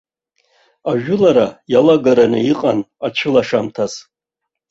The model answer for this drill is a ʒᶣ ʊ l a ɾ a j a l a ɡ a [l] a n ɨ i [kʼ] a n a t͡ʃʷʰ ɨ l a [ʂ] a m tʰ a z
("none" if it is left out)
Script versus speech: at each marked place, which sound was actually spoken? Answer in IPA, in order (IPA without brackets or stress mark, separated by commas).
ɾ, qʼ, ʂ